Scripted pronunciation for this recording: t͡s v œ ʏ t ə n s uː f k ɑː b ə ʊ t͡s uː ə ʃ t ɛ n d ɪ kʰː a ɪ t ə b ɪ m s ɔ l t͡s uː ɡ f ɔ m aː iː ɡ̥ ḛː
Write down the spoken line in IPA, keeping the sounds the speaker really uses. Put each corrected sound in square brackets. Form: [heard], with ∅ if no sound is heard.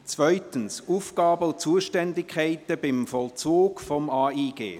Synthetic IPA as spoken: t͡s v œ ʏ t ə n s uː f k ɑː b ə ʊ t͡s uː ə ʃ t ɛ n d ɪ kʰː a ɪ t ə b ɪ m [f] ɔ l t͡s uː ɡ f ɔ m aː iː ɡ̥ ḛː